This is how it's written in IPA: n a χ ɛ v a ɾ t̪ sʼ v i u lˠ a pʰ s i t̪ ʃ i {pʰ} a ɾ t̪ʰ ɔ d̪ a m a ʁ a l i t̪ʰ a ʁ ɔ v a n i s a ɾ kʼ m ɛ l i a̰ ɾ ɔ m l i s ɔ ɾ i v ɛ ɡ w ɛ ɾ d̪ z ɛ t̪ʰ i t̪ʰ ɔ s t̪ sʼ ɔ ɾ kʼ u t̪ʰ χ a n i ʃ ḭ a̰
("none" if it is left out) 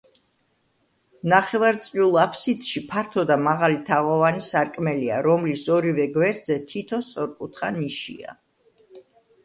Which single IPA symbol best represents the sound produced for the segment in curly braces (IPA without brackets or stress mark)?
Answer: pʰ